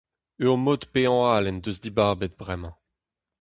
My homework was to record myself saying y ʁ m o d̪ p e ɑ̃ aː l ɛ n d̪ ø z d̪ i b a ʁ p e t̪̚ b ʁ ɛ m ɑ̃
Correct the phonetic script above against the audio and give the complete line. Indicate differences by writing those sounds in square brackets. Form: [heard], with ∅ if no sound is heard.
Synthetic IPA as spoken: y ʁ m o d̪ p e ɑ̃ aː l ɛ n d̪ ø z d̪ i b a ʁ [b] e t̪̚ b ʁ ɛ m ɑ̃